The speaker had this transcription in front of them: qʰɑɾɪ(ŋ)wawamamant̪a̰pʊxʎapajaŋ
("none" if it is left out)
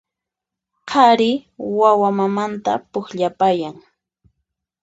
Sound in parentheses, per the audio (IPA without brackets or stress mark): none